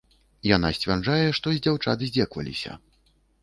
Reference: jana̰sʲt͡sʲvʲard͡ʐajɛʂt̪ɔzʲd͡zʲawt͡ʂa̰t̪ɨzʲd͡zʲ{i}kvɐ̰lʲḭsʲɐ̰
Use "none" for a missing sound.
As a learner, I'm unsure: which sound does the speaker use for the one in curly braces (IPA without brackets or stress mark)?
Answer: ɛ